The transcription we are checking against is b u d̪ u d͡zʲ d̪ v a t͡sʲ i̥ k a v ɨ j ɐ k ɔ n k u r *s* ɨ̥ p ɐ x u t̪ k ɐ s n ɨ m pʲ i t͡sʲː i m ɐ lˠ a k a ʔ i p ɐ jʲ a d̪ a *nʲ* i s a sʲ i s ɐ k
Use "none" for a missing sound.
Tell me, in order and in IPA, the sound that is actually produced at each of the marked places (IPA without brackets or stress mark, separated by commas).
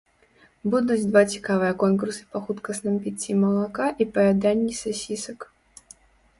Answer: s, nʲː